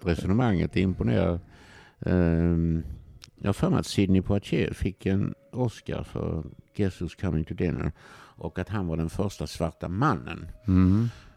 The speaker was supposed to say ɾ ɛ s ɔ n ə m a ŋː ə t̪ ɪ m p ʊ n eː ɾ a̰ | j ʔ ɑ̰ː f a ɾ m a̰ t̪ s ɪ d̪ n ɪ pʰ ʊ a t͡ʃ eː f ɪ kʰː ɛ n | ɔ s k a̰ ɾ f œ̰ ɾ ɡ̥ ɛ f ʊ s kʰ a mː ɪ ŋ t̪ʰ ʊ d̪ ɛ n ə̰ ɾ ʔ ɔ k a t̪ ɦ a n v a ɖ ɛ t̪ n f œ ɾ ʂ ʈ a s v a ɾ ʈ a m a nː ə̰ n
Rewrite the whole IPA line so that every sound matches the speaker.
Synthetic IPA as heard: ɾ ɛ s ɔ n ə m a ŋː ə t̪ ɪ m p ʊ n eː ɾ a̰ | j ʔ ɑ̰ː f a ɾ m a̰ t̪ s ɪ d̪ n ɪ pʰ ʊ a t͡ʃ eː f ɪ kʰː ɛ n | ɔ s k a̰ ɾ f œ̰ ɾ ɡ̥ ɛ s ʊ s kʰ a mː ɪ ŋ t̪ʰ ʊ d̪ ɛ n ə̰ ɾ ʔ ɔ k a t̪ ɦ a n v a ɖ ɛ n f œ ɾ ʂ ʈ a s v a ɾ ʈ a m a nː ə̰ n